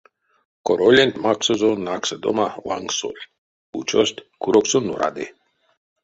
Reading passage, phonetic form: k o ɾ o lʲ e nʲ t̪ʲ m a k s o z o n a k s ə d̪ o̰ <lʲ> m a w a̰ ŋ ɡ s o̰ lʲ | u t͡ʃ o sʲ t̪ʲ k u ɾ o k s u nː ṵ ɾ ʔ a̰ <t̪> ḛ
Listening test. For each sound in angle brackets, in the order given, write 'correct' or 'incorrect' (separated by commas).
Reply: incorrect, incorrect